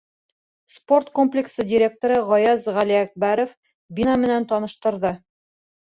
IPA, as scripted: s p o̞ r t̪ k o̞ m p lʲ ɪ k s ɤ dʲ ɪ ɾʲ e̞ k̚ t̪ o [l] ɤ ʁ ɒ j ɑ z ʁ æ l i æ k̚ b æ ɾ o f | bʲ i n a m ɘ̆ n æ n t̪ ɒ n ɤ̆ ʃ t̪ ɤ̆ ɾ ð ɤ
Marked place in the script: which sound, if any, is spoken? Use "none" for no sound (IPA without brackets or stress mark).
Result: ɾ